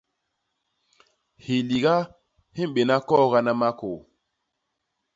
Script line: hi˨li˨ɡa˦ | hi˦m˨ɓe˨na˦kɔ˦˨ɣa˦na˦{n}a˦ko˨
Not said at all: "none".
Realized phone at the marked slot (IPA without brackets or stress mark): m